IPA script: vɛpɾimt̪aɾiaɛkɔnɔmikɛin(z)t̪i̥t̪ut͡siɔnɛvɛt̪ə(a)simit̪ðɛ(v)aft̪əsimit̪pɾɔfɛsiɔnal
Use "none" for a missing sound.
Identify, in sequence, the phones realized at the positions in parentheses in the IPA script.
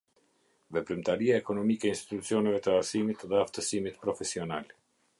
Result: s, a, none

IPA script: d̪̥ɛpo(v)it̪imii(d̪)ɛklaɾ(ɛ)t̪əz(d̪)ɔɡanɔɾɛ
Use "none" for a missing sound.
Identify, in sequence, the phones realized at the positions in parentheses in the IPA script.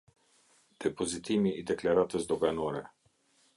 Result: z, d̪, a, d̪

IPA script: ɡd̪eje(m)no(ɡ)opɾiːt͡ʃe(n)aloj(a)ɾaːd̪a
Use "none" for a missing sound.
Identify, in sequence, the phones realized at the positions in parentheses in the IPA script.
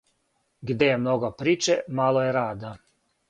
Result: m, ɡ, m, e

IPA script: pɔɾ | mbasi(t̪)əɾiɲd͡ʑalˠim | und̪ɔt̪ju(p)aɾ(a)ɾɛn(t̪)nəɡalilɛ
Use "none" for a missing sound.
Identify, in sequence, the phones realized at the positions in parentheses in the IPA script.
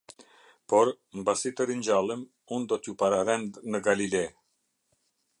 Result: t̪, p, a, d̪

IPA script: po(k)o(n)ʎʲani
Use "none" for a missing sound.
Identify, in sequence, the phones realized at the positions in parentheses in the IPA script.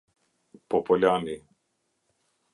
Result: p, none

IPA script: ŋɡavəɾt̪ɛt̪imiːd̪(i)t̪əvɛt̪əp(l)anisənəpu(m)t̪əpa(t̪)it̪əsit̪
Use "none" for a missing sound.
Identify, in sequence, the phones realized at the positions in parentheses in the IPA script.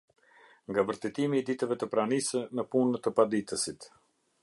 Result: i, ɾ, n, d̪

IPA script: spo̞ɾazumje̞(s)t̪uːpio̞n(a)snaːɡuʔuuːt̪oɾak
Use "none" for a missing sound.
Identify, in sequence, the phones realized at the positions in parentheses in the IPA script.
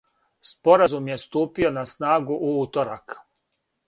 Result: s, a

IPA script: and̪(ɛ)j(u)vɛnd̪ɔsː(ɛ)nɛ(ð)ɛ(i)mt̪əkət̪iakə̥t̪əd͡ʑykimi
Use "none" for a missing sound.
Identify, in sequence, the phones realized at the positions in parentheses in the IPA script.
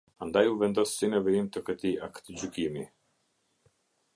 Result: a, u, i, v, i

